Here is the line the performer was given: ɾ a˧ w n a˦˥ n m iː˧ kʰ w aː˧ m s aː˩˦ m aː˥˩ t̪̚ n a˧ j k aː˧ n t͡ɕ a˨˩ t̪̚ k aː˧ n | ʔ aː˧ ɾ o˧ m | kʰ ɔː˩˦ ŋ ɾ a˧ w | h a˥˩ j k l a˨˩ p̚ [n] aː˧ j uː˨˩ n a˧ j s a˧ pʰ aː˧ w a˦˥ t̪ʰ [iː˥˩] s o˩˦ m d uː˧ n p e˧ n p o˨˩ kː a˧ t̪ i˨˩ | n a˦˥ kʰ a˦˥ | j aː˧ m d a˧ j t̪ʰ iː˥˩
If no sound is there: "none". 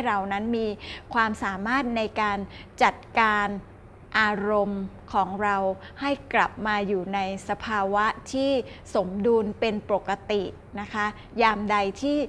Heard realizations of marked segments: m, iː˥˩

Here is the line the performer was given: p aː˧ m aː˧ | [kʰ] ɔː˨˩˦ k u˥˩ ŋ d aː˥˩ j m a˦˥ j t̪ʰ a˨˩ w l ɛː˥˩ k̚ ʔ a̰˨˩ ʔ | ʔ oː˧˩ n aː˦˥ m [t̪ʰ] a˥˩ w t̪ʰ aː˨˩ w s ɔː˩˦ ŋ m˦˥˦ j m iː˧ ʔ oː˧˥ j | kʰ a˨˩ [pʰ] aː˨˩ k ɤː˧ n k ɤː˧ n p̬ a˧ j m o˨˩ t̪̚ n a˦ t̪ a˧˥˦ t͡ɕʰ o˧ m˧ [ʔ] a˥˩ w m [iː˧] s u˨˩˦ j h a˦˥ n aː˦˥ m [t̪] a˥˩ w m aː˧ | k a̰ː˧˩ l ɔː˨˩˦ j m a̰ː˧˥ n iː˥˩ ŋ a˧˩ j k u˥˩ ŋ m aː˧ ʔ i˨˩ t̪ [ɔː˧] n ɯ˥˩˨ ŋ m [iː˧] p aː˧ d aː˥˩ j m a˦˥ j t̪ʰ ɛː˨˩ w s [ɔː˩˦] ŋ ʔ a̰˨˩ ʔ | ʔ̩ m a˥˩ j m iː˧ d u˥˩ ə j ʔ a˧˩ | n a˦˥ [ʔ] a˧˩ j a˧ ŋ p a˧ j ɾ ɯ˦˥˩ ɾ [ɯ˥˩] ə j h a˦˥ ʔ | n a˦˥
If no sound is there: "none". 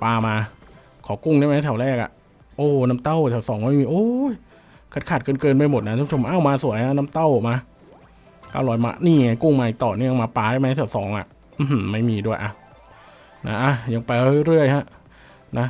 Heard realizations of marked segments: kʰ, t̪, kʰ, ʔ, aː˧, t̪, ɔː˨˩, aː˧, ɔː˩˦, ʔ, ɯ˥˩

